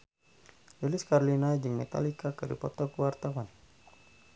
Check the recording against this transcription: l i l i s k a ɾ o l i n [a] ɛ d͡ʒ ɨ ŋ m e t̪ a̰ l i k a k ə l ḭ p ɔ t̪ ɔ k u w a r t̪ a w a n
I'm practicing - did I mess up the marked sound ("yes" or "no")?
no